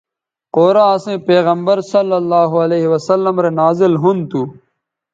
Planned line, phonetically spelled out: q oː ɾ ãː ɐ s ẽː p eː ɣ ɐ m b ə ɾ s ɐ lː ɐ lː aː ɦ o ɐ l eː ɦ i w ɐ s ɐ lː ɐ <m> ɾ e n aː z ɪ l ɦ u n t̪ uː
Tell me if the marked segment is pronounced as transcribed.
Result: yes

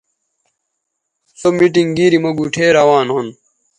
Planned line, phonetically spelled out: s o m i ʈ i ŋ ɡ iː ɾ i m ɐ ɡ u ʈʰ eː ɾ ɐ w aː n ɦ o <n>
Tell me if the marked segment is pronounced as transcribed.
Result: yes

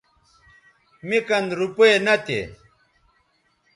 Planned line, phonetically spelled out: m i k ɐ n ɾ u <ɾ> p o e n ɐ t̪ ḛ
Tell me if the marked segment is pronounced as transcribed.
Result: no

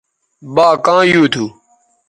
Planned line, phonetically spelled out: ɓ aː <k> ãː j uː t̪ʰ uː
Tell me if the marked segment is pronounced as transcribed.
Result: yes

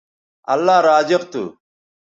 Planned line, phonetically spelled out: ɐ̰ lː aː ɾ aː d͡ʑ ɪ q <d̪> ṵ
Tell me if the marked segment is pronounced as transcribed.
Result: no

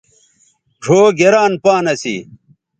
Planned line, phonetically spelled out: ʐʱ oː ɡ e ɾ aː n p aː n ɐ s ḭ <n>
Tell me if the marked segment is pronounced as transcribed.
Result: no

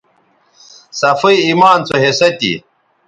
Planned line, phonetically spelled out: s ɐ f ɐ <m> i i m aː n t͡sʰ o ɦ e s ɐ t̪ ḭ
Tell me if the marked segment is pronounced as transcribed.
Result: no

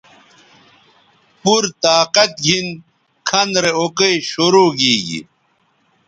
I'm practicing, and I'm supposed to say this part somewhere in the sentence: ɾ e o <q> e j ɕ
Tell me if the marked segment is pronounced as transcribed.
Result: no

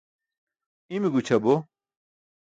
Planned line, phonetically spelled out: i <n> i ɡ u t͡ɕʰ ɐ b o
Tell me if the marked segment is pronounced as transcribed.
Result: no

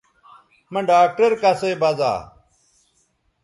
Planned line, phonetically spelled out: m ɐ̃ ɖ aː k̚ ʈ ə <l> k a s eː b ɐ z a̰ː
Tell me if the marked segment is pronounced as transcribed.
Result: no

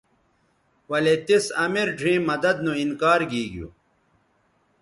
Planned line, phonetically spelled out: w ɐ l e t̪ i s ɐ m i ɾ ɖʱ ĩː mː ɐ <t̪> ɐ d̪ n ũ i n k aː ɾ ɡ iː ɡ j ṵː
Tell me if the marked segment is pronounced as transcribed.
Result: no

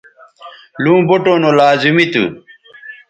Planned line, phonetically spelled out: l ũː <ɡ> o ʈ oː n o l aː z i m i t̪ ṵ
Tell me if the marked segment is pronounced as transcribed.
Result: no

